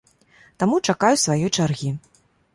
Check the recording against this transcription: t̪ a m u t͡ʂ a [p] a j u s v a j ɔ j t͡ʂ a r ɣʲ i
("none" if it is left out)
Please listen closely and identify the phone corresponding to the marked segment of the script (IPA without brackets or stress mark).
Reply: k